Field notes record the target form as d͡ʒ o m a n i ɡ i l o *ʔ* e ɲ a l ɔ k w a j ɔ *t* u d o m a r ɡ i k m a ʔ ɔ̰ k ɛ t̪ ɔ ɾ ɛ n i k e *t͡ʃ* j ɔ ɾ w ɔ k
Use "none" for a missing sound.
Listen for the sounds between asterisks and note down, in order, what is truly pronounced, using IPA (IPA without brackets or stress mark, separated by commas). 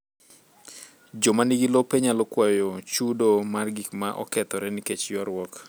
p, t͡ʃ, t͡ʃ